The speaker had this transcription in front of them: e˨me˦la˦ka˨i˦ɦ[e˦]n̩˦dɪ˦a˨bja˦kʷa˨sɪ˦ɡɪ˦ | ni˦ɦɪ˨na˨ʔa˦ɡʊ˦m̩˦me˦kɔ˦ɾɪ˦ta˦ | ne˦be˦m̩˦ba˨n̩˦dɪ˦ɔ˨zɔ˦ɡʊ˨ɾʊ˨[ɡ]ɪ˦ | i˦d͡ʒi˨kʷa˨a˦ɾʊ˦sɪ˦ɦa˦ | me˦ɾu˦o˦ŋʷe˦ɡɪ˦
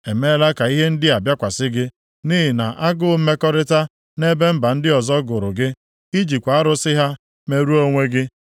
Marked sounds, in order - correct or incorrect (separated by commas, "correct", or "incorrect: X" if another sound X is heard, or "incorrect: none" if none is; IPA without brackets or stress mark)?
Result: correct, correct